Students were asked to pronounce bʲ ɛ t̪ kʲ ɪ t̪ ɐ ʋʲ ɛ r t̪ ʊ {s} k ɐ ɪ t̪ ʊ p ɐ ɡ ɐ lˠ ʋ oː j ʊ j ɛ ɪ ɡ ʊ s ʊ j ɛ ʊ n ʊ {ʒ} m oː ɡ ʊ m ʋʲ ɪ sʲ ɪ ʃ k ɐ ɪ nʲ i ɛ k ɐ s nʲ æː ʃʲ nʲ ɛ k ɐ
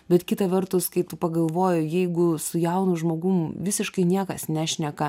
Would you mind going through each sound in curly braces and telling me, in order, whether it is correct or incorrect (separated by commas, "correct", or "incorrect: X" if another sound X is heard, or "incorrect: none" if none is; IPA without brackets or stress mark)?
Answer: correct, correct